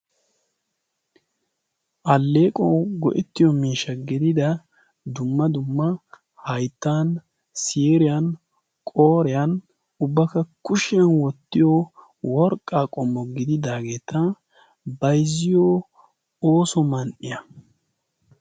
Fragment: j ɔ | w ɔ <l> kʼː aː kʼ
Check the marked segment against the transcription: incorrect: ɾ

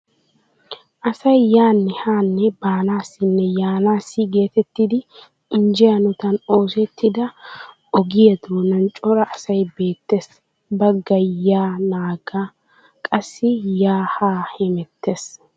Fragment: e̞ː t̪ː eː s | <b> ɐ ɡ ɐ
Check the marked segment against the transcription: correct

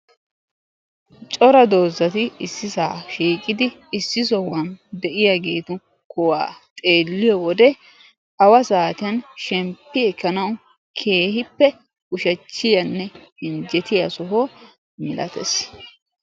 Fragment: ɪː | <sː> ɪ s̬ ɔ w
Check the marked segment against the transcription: correct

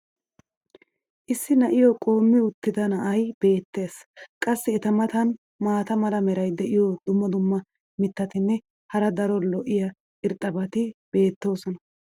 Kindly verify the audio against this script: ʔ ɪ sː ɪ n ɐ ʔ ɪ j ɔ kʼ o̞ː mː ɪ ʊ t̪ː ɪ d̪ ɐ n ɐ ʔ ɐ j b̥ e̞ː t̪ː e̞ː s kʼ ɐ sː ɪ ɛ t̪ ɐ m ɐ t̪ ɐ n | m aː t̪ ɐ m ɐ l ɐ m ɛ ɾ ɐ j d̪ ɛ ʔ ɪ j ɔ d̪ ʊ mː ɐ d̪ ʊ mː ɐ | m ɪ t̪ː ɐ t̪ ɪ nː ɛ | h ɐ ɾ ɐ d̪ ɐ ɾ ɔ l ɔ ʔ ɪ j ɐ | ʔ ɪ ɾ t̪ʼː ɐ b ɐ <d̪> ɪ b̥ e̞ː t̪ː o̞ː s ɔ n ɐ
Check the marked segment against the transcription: incorrect: t̪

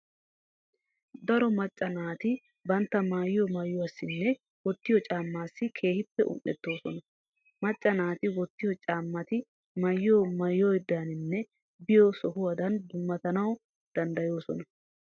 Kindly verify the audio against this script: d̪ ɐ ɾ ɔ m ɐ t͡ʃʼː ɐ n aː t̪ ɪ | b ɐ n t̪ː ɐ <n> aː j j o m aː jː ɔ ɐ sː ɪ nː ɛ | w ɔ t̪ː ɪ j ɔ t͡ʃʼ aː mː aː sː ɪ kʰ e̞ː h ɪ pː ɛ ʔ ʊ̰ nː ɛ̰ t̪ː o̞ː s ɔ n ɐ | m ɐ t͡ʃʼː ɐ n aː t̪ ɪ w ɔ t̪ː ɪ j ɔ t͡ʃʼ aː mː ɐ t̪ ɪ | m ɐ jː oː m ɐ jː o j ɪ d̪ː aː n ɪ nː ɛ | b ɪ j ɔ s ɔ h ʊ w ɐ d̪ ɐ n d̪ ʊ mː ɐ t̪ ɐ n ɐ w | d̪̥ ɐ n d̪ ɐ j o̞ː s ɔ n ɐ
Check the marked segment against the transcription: incorrect: m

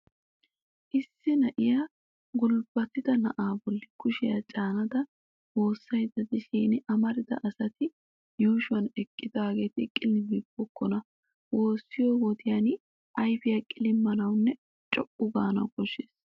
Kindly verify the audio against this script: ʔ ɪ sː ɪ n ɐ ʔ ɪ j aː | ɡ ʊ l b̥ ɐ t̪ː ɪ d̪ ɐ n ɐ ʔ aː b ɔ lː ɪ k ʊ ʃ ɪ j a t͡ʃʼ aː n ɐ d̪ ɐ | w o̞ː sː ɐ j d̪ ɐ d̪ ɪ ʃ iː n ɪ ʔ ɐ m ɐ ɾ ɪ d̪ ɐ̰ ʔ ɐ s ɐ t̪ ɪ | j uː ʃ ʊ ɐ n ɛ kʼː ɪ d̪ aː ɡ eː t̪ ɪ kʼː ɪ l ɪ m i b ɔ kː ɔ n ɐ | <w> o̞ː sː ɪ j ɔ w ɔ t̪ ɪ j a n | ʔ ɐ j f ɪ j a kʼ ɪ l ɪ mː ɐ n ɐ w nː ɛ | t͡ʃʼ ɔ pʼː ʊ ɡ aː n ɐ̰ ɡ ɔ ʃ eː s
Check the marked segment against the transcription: correct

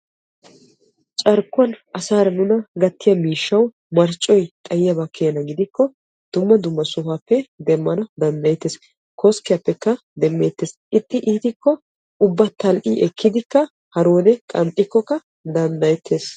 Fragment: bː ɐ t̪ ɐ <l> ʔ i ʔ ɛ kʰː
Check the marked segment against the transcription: correct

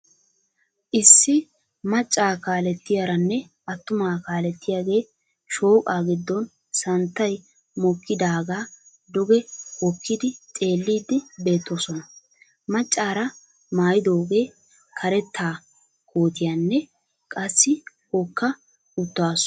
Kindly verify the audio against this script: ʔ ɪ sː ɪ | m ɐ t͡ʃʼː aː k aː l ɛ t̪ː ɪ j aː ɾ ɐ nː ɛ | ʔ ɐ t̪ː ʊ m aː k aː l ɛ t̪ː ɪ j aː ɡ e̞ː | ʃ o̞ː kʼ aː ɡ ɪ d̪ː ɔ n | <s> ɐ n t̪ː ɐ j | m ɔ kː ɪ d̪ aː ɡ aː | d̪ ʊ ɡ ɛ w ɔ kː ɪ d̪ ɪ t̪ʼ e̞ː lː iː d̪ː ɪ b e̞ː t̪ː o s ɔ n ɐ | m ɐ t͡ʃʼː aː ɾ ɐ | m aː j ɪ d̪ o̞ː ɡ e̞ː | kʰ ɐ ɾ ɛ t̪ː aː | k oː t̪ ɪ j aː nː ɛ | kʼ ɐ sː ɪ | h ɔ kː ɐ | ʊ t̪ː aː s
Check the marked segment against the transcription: correct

